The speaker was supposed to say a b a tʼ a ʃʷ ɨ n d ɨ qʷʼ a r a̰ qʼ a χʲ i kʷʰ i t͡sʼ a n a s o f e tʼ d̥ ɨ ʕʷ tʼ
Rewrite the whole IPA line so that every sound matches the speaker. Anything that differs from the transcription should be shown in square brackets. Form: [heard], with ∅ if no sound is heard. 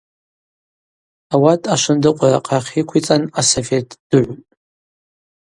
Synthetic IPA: a [w] a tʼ a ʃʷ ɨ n d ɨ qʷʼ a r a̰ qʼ a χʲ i kʷʰ i t͡sʼ a n a s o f e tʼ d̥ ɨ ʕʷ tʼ